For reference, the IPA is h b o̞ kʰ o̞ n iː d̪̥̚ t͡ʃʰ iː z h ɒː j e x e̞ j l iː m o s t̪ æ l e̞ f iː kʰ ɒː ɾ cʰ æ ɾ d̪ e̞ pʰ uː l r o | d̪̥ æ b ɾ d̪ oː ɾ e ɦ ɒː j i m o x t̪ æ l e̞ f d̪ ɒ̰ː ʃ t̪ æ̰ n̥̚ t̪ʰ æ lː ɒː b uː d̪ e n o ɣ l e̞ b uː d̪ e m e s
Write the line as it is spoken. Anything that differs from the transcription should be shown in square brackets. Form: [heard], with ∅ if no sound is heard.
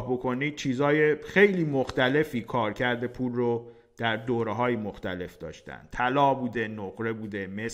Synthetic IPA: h b o̞ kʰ o̞ n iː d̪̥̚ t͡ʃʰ iː z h ɒː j e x e̞ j l iː m o [x] t̪ æ l e̞ f iː kʰ ɒː ɾ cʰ æ ɾ d̪ e̞ pʰ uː l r o | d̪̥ æ [∅] ɾ d̪ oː ɾ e ɦ ɒː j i m o x t̪ æ l e̞ f d̪ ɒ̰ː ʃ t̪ æ̰ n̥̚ t̪ʰ æ [l] ɒː b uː d̪ e n o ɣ [ɾ] e̞ b uː d̪ e m e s